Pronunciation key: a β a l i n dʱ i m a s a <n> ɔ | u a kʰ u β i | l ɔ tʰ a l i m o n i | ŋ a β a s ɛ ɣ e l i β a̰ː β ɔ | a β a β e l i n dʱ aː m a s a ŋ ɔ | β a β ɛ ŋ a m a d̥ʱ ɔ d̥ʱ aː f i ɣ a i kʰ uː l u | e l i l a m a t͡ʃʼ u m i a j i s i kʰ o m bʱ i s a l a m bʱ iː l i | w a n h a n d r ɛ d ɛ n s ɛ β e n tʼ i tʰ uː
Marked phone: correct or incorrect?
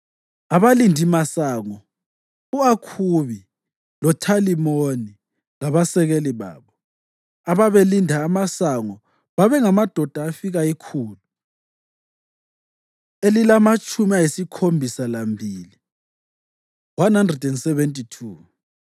incorrect: ŋ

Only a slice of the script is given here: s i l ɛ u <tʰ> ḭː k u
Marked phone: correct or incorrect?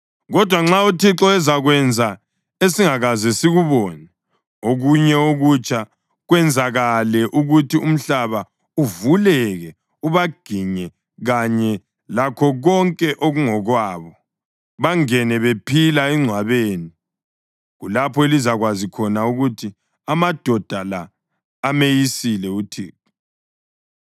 correct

